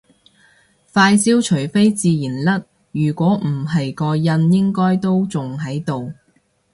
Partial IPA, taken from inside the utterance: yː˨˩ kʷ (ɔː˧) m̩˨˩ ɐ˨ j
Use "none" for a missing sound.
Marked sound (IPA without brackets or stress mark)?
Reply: ɔː˨˥